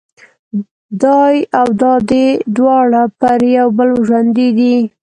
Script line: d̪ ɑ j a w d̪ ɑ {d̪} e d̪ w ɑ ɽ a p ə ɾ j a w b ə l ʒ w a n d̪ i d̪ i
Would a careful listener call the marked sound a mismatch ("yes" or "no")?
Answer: no